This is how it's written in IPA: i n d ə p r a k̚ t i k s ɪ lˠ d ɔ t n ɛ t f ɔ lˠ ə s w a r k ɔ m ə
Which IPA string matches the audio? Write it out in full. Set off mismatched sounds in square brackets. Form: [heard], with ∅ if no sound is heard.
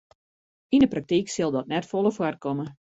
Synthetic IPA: i n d ə p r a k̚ t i k s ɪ lˠ d ɔ t n ɛ t f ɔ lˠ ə [f] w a r k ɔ m ə

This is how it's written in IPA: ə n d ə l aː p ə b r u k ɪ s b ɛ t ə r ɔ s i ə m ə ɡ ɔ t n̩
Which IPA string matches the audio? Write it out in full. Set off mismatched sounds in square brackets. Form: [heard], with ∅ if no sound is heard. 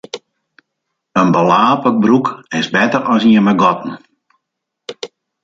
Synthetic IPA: ə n [b] ə l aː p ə b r u k ɪ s b ɛ t ə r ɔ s i ə m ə ɡ ɔ t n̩

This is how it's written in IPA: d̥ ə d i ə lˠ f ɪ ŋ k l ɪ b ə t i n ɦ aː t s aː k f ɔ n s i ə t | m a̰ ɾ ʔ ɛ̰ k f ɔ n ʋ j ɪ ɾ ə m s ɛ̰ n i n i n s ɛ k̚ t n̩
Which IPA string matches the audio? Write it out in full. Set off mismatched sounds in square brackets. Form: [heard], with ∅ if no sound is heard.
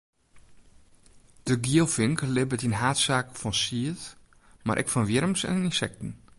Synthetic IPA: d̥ ə [ɡ] i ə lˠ f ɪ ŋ k l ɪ b ə t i n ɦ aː t s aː k f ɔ n s i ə t | m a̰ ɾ ʔ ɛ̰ k f ɔ n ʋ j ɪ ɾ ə m s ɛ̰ n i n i n s ɛ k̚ t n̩

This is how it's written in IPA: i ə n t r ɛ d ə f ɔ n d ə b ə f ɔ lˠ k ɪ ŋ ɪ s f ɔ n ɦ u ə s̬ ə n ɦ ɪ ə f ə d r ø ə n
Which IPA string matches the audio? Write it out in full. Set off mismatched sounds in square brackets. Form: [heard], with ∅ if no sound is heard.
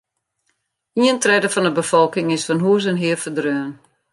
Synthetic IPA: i ə n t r ɛ d ə f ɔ n d ə b ə f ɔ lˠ k ɪ ŋ ɪ s f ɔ n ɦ u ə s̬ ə n ɦ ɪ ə f ə d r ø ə n

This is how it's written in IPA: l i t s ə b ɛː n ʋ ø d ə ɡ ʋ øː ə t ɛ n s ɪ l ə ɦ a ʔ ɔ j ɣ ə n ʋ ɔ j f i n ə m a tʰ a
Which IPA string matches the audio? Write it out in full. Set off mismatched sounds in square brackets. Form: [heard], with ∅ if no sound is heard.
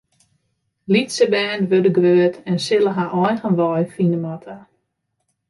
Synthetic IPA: l i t s ə b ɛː n ʋ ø d ə ɡ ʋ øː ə t ɛ n s ɪ l ə ɦ a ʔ ɔ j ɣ ə n ʋ ɔ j f i n ə m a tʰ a

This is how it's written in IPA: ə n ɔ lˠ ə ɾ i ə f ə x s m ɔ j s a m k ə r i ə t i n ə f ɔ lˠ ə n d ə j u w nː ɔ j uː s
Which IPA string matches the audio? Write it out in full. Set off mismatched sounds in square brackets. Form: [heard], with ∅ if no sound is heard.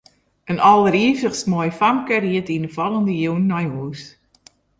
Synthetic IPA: ə n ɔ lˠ ə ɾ i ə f ə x s m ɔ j [f] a m k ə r i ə t i n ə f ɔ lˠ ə n d ə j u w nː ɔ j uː s

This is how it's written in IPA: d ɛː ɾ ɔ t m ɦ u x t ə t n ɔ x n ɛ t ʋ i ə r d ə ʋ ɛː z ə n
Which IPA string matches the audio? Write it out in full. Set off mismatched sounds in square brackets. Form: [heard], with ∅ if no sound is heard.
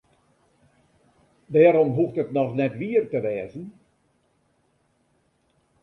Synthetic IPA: d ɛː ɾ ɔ [∅] m ɦ u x t ə t n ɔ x n ɛ t ʋ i ə r [t] ə ʋ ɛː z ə n

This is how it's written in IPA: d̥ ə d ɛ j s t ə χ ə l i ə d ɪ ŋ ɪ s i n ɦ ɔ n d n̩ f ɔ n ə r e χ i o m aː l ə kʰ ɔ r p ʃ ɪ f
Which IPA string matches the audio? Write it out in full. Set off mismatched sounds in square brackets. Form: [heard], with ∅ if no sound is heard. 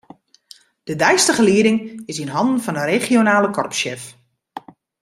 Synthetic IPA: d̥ ə d ɛ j s t ə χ ə l i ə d ɪ ŋ ɪ s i n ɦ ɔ n d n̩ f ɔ n ə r e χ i o [n] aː l ə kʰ ɔ r p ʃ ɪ f

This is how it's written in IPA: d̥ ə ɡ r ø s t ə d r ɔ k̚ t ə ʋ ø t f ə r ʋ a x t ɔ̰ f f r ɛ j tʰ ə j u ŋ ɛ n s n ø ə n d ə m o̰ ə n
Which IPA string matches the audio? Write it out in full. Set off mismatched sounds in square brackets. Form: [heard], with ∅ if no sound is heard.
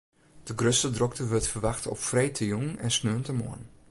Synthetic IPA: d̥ ə ɡ r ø s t ə d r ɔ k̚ t ə ʋ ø t f ə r ʋ a x t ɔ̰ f f r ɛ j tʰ ə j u ŋ ɛ n s n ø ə n [t] ə m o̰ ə n

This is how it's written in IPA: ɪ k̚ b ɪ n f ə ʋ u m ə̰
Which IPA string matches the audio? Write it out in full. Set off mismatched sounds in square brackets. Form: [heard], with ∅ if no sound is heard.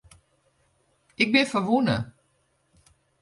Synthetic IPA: ɪ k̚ b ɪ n f ə ʋ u [n] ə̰

